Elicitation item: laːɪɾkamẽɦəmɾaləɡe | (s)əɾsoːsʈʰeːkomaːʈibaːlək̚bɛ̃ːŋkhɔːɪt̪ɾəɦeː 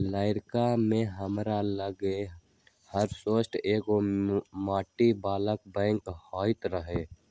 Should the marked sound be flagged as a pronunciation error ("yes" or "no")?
yes